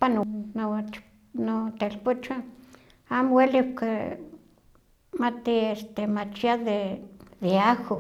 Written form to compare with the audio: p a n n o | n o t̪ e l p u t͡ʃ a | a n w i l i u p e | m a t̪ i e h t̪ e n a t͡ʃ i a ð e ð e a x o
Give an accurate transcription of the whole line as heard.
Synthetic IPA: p a n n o | n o t̪ e l p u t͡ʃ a | a m w e l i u k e | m a t̪ i e s t̪ e m a t͡ʃ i a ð e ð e a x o

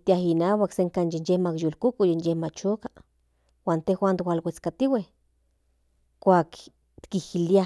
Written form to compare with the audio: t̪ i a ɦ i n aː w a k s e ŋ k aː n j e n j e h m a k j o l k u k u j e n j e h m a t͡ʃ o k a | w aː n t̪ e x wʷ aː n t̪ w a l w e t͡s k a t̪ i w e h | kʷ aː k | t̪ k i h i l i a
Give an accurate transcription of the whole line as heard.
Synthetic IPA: t̪ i a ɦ i n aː w a k s e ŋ k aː n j e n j e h m a k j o l k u k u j e n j e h m a t͡ʃ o k a | w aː n t̪ e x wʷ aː n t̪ w a l w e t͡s k a t̪ i w e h | kʷ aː k | t̪ k i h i l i a

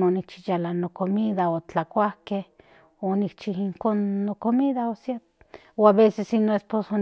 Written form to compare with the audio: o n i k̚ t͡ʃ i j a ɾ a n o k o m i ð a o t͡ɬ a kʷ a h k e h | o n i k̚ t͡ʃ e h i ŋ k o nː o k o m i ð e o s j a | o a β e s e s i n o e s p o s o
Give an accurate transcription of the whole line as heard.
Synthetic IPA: o n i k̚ t͡ʃ i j a l a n o k o m i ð a o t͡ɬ a kʷ a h k e h | o n i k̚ t͡ʃ i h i ŋ k o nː o k o m i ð a o s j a | o a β e s e s i n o e s p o s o

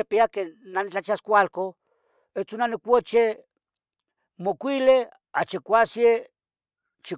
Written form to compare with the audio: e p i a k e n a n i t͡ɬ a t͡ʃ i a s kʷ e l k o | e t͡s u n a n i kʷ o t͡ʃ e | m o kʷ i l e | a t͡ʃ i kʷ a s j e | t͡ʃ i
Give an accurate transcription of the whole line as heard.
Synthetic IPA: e p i a k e n a n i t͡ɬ a t͡ʃ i a s kʷ a l k o | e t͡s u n a n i kʷ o t͡ʃ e | m o kʷ i l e | a t͡ʃ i kʷ a s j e | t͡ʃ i

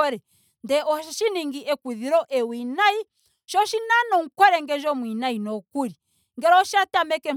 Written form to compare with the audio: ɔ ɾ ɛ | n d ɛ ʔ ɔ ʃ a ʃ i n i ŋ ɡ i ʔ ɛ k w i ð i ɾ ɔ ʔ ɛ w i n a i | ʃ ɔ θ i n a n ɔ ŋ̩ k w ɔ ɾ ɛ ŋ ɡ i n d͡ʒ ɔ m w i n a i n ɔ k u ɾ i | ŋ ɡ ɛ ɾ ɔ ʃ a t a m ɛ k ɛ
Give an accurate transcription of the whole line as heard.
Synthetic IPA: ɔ ɾ ɛ | n d ɛ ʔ ɔ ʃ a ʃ i n i ŋ ɡ i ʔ ɛ k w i ð i ɾ ɔ ʔ ɛ w i n a i | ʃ ɔ ʃ i n a n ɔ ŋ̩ k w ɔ ɾ ɛ ŋ ɡ ɛ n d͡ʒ ɔ m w i n a i n ɔ k u ɾ i | ŋ ɡ ɛ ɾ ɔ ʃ a t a m ɛ k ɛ

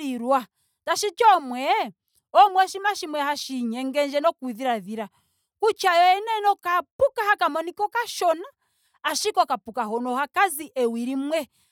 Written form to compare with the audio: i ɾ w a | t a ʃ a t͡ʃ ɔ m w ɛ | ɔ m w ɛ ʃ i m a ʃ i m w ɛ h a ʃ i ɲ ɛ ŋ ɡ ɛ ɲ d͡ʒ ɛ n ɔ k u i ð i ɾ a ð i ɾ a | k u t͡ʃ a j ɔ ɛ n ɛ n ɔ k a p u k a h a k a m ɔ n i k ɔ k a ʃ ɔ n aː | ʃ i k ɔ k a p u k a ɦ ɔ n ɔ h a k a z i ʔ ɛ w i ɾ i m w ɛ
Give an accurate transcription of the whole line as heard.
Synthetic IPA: i ɾ w a | t a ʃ i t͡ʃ ɔ m w ɛ | ɔ m w ɛ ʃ i m a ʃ i m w ɛ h a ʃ i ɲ ɛ ŋ ɡ ɛ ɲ d͡ʒ ɛ n ɔ k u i ð i ɾ a ð i ɾ a | k u t͡ʃ a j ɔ ɛ n ɛ n ɔ k a p u k a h a k a m ɔ n i k ɔ k a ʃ ɔ n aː | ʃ i k ɔ k a p u k a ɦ ɔ n ɔ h a k a z i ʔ ɛ w i ɾ i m w ɛ

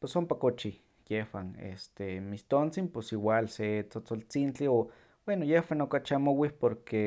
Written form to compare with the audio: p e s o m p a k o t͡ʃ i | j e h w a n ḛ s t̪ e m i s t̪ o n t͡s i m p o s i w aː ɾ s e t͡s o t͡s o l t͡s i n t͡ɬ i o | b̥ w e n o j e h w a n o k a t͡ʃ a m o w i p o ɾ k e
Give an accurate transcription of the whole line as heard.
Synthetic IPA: p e s o m p a k o t͡ʃ i | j e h w a n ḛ s t̪ e m i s t̪ o n t͡s i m p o s i w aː l s e t͡s o t͡s o l t͡s i n t͡ɬ i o | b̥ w e n o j e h w a n o k a t͡ʃ a m o w i p o ɾ k e

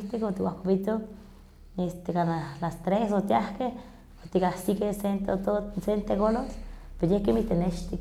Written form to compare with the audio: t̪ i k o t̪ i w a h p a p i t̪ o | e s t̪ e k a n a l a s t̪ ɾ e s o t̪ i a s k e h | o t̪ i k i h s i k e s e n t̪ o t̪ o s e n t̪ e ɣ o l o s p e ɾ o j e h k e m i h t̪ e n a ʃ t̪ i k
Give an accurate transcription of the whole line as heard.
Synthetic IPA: t̪ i k o t̪ i w a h p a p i t̪ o | e s t̪ e k a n a l a s t̪ ɾ e s o t̪ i a h k e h | o t̪ i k a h s i k e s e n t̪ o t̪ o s e n t̪ e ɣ o l o s p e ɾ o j e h k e m i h t̪ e n e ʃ t̪ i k

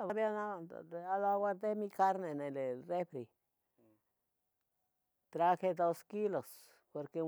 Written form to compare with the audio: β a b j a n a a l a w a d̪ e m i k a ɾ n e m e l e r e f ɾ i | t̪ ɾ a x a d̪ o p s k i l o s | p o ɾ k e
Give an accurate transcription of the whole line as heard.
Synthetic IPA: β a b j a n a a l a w a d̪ e m i k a ɾ n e n e l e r e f ɾ i | t̪ ɾ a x e d̪ o s k i l o s | p o ɾ k e

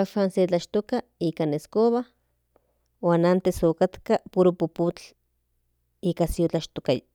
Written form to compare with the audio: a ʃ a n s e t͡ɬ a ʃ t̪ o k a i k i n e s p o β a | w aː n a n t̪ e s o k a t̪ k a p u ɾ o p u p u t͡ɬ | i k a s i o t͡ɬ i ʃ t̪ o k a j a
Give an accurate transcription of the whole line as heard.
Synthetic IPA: a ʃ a n s e t͡ɬ a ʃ t̪ o k a i k a n e s k o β a | w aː n a n t̪ e s o k a t̪ k a p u ɾ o p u p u t͡ɬ | i k a s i o t͡ɬ a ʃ t̪ o k a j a

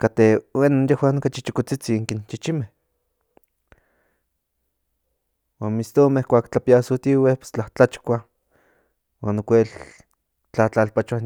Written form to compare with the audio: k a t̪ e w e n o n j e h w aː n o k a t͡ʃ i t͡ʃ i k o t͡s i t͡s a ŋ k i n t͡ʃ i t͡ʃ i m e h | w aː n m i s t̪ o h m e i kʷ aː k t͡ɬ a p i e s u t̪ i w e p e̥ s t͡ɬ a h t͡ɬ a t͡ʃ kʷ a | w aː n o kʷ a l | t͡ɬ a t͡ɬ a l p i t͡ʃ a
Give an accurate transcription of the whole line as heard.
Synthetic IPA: k a t̪ e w e n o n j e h w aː n o k a t͡ʃ i t͡ʃ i k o t͡s i t͡s i ŋ k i n t͡ʃ i t͡ʃ i m e h | w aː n m i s t̪ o m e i kʷ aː k t͡ɬ a p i a s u t̪ i w e p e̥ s t͡ɬ a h t͡ɬ a t͡ʃ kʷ a | w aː n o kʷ e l | t͡ɬ a t͡ɬ a l p a t͡ʃ a

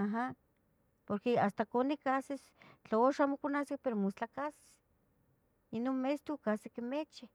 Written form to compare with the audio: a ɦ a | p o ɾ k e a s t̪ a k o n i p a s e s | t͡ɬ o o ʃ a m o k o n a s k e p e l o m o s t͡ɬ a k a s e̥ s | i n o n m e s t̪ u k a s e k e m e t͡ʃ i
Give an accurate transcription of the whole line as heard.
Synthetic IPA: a ɦ a | p o ɾ k e a s t̪ a k o n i k a s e s | t͡ɬ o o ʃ a m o k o n a s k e p e ɾ o m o s t͡ɬ a k a s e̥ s | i n o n m e s t̪ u k a s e k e m e t͡ʃ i

